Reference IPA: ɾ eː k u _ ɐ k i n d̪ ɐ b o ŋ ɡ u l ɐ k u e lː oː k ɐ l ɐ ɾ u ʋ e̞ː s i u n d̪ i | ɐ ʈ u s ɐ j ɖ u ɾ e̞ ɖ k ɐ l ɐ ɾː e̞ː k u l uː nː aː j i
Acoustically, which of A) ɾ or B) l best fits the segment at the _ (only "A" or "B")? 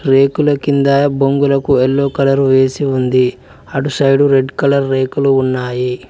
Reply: B